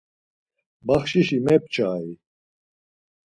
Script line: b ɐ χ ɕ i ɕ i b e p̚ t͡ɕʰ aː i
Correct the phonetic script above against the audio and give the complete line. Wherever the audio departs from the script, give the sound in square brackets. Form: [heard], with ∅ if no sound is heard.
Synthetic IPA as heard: b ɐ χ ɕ i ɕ i [m] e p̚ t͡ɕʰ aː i